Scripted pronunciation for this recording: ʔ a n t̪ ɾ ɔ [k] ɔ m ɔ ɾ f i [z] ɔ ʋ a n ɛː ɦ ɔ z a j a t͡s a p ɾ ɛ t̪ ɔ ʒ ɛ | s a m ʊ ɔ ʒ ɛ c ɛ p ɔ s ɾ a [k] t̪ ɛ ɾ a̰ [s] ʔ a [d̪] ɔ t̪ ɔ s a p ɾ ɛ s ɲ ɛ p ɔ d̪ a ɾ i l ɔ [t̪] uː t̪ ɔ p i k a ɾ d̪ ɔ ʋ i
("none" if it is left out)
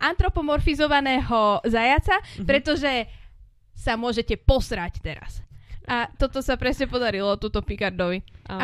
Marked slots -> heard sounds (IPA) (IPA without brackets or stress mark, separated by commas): p, z, c, s, t̪, t̪